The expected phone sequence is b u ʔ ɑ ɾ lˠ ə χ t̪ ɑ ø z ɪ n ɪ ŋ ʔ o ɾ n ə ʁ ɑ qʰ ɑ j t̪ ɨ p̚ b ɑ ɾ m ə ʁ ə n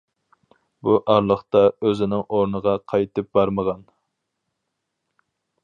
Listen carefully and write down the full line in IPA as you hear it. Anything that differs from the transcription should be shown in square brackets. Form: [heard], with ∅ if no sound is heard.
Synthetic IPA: b u ʔ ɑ ɾ lˠ ə χ t̪ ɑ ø z ɪ n ɪ ŋ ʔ o ɾ n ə ʁ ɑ qʰ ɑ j t̪ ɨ p̚ b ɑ ɾ m ə ʁ [ɑ] n